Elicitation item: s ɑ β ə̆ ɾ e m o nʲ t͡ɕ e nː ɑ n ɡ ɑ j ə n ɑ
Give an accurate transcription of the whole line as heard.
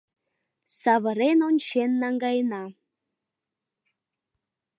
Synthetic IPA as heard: s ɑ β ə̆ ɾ e n o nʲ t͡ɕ e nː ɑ ŋ ɡ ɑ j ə n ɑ